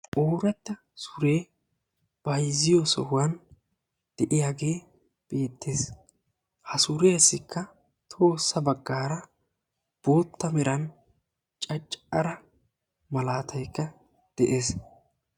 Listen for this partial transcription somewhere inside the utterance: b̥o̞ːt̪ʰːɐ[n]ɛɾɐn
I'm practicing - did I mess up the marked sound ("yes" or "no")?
yes